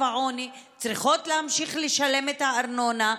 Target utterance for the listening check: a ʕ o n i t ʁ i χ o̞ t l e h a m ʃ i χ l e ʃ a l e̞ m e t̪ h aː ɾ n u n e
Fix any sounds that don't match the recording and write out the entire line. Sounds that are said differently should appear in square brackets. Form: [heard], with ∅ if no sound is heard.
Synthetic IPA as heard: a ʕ o n i [t͡s] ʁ i χ o̞ t l e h a m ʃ i χ l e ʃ a l e̞ m e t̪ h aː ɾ n [o] n [a]